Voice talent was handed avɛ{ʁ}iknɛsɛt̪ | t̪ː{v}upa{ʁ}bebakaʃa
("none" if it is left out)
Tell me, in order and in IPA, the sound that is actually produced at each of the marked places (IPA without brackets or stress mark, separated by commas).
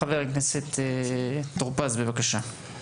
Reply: ʁ, ʁ, z